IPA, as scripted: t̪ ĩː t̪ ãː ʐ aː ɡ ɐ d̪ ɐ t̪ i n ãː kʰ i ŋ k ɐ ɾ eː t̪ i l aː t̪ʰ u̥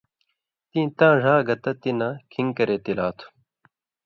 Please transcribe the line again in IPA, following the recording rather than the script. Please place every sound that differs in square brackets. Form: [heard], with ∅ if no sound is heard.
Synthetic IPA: t̪ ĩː t̪ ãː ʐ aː ɡ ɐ [t̪] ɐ t̪ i n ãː kʰ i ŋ k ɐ ɾ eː t̪ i l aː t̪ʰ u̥

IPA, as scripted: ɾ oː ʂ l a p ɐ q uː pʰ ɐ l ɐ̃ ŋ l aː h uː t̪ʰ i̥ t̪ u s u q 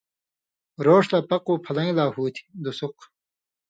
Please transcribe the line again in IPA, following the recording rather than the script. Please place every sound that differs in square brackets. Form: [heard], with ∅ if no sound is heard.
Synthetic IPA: ɾ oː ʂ l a p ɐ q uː pʰ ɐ l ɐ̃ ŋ l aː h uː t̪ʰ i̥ [d̪] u s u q

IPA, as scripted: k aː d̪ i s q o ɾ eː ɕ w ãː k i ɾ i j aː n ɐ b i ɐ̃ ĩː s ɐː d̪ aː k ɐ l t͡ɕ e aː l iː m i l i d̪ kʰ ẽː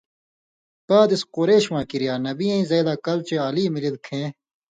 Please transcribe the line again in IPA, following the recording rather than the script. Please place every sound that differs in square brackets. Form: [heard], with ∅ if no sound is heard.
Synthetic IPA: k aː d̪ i s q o ɾ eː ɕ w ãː k i ɾ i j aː n ɐ b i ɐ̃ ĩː [z] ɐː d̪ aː k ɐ l t͡ɕ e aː l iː m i l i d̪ kʰ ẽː

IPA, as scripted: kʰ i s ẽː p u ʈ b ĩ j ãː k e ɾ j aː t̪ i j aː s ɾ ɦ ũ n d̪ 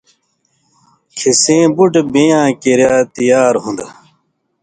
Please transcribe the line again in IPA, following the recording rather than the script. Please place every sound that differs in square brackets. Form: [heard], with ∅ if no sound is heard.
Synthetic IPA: kʰ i s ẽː [b] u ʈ b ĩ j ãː k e ɾ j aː t̪ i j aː [∅] ɾ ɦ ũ n d̪

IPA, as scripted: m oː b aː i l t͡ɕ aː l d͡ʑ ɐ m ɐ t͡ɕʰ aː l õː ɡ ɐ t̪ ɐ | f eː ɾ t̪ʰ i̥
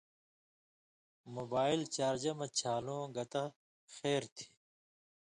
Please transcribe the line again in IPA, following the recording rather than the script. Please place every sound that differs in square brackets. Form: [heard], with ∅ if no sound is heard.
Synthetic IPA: m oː b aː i l t͡ɕ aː [ɾ] d͡ʑ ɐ m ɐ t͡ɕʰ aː l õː ɡ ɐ t̪ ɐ | [x] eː ɾ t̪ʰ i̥

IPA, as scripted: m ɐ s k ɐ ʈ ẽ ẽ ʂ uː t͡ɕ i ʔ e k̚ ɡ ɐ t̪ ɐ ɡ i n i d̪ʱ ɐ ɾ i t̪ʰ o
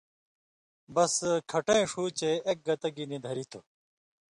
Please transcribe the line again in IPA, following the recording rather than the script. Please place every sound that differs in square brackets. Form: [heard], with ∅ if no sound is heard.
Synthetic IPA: [b] ɐ s [kʰ] ɐ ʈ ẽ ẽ ʂ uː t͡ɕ [e] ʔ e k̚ ɡ ɐ t̪ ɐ ɡ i n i d̪ʱ ɐ ɾ i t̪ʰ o

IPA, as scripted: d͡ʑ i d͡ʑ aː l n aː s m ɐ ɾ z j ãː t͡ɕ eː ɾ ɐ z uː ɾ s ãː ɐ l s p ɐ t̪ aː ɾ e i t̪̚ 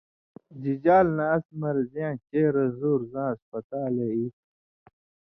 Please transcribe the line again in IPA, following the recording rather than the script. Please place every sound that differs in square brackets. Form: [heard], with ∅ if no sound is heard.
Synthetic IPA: d͡ʑ i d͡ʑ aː l n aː s m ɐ ɾ z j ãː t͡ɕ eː ɾ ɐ z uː ɾ [z] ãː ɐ [∅] s p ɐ t̪ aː [l] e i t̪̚

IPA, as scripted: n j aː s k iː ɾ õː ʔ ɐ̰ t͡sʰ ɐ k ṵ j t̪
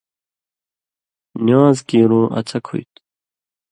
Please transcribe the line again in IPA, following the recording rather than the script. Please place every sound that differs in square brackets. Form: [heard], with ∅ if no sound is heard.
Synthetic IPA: n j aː [z] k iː ɾ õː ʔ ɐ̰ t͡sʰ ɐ [kʰ] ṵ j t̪

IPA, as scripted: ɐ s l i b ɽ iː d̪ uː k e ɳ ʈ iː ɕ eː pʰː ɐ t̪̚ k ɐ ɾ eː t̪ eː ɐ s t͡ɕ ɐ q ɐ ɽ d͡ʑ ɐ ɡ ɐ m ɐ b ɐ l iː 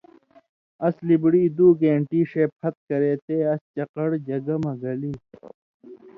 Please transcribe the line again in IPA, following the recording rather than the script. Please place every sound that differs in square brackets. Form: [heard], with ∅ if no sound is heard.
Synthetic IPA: ɐ s l i b ɽ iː d̪ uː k e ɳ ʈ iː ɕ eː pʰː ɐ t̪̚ k ɐ ɾ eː t̪ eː ɐ s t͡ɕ ɐ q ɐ ɽ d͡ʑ ɐ ɡ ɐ m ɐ [ɡ] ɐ l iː

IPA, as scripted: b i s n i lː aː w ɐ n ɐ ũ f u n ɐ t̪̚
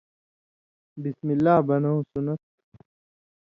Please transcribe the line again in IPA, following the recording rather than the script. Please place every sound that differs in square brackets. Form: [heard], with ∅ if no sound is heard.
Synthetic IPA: b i s [m] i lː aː [b] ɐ n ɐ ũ [s] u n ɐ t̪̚

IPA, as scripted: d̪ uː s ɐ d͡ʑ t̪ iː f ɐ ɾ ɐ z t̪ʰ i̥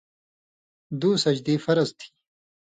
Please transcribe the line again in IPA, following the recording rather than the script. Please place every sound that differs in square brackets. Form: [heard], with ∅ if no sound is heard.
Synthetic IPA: d̪ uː s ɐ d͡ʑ [d̪] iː f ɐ ɾ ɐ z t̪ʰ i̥

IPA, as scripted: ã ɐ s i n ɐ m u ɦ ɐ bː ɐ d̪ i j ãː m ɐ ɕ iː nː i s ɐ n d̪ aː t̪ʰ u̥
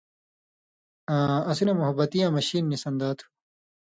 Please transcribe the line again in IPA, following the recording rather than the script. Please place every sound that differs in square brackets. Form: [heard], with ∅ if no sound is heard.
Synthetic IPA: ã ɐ s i n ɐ m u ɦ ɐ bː ɐ [t̪] i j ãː m ɐ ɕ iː nː i s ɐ n d̪ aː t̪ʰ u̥

